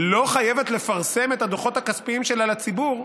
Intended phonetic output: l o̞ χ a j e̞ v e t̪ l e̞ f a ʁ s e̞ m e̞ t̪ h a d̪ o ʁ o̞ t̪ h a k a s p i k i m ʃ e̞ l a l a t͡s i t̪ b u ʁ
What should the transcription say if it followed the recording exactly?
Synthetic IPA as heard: l o̞ χ a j e̞ v e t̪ l e̞ f a ʁ s e̞ m e̞ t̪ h a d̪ o χ o̞ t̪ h a k a s p i i m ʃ e̞ l a l a t͡s i b u ʁ